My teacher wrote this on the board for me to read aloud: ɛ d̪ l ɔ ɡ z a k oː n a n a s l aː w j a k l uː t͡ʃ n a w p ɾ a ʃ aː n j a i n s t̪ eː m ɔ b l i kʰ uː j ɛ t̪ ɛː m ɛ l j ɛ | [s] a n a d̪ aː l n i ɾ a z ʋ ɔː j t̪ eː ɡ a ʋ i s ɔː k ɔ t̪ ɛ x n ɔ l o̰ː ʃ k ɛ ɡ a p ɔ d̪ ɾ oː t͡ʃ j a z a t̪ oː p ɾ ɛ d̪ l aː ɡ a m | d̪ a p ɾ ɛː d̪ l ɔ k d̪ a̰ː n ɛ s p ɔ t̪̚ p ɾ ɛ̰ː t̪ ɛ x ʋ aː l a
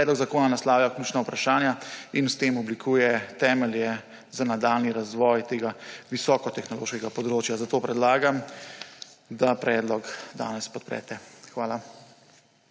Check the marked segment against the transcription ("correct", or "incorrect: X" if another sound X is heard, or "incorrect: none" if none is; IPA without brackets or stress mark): incorrect: z